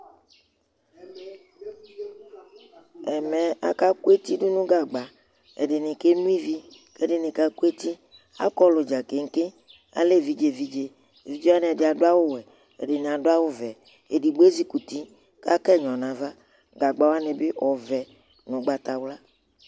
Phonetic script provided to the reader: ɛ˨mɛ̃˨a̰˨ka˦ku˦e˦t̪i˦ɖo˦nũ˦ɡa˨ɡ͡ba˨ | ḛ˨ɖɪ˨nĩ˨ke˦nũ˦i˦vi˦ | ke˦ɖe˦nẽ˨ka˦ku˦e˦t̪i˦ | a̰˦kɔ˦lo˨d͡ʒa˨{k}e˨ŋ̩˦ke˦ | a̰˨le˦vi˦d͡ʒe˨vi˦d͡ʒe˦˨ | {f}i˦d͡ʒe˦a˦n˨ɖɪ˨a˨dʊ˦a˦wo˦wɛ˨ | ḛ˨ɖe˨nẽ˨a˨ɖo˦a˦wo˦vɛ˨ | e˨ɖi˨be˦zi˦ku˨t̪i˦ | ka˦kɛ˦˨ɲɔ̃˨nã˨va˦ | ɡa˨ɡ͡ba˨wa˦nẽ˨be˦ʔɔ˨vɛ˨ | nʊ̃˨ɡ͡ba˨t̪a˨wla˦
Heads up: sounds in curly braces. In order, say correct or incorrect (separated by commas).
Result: correct, incorrect